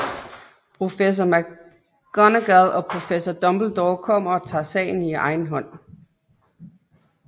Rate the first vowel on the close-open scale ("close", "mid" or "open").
mid